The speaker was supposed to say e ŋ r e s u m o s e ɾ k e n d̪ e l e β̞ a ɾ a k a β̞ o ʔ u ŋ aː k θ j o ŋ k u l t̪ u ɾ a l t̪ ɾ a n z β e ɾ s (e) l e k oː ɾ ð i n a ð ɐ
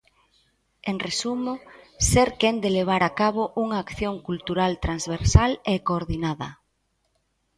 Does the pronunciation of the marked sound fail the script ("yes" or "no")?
yes